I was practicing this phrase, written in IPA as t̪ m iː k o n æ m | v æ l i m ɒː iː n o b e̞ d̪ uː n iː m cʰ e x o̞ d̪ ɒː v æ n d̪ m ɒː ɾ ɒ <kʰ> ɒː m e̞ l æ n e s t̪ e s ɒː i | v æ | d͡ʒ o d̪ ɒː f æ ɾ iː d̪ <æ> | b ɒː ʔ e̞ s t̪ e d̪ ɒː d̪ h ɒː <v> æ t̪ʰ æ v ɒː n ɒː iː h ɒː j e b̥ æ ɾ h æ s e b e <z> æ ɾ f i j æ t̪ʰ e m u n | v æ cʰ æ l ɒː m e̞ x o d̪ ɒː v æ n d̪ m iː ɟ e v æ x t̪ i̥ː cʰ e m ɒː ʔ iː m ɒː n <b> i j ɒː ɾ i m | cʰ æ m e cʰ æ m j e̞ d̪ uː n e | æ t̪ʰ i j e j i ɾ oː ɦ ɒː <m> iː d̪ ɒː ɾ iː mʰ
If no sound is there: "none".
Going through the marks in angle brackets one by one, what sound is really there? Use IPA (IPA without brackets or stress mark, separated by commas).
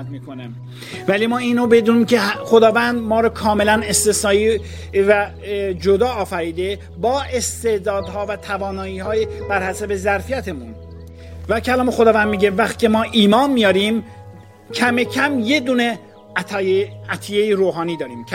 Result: kʰ, e, v, z, m, n